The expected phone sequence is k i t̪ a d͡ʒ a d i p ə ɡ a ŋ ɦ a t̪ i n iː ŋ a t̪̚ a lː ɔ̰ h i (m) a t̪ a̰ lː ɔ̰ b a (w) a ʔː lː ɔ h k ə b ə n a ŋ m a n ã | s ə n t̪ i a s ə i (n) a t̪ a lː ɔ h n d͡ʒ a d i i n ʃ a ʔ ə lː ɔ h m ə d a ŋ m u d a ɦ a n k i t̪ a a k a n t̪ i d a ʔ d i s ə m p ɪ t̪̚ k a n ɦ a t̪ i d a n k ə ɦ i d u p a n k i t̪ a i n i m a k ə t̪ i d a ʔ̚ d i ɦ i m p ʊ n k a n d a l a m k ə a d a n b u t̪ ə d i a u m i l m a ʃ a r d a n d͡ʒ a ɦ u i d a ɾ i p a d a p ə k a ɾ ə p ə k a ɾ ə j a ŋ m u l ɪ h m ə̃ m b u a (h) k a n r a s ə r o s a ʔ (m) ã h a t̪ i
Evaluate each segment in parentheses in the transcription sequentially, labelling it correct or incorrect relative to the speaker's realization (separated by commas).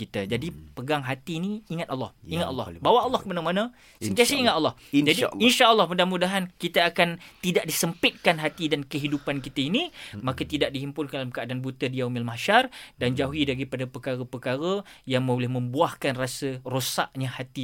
incorrect, correct, incorrect, correct, incorrect